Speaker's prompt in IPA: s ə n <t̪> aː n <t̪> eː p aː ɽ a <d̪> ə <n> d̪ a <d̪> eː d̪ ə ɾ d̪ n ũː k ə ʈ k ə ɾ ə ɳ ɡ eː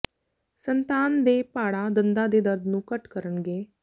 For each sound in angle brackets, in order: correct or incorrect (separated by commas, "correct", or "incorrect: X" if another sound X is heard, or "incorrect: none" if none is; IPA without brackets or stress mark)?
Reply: correct, incorrect: d̪, correct, correct, correct